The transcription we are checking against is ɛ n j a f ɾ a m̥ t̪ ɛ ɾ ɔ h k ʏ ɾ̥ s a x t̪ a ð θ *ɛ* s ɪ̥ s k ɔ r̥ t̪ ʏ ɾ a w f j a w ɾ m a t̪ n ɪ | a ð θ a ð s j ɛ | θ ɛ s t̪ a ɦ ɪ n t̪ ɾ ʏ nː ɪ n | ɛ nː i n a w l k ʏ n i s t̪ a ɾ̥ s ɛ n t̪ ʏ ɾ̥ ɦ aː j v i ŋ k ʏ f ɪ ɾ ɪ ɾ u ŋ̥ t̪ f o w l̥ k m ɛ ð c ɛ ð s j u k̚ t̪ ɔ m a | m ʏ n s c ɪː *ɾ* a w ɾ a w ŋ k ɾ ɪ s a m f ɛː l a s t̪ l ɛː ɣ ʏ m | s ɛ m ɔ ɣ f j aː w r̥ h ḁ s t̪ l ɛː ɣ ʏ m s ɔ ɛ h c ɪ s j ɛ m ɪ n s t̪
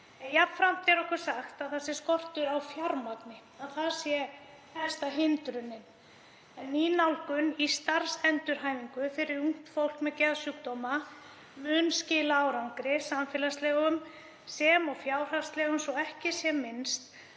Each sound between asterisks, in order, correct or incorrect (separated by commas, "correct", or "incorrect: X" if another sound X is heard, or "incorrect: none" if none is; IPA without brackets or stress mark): incorrect: a, incorrect: l